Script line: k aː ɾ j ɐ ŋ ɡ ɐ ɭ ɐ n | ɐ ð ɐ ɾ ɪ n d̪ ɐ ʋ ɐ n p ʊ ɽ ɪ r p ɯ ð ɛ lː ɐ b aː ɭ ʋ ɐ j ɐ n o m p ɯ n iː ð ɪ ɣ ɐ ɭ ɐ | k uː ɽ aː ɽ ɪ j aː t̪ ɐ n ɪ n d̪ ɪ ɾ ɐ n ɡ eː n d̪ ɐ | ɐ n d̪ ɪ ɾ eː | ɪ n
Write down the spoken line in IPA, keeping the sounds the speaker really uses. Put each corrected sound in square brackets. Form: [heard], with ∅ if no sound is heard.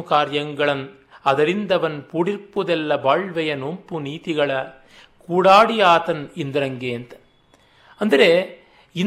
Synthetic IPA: k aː ɾ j ɐ ŋ ɡ ɐ ɭ ɐ n | ɐ ð ɐ ɾ ɪ n d̪ ɐ ʋ ɐ n p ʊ ɽ ɪ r p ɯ ð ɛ lː ɐ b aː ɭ ʋ ɐ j ɐ n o m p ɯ n iː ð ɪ ɣ ɐ ɭ ɐ | k uː ɽ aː ɽ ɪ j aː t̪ ɐ n ɪ n d̪ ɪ ɾ ɐ [ŋ] ɡ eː n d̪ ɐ | ɐ n d̪ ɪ ɾ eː | ɪ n